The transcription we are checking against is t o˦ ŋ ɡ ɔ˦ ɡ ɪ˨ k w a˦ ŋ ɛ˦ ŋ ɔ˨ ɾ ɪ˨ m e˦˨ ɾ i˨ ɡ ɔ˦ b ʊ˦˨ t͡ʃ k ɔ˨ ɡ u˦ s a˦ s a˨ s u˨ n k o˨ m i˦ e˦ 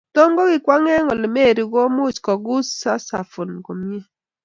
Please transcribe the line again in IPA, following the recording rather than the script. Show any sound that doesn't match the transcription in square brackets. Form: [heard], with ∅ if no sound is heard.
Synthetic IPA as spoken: t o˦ ŋ ɡ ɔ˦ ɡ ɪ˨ k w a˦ ŋ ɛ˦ ŋ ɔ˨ [l] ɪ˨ m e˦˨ ɾ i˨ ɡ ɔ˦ [m] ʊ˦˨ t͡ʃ k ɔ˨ ɡ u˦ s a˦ s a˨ [f] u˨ n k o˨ m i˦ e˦